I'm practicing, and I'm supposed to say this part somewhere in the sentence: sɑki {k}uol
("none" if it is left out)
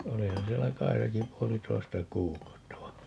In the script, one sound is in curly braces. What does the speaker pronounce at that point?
p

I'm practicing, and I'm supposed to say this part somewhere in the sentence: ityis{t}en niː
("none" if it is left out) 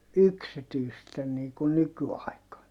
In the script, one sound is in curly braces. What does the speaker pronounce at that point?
t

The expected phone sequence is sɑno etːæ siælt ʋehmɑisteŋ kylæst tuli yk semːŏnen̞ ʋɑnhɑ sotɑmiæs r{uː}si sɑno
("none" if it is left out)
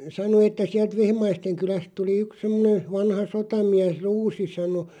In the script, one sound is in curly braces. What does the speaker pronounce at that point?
uː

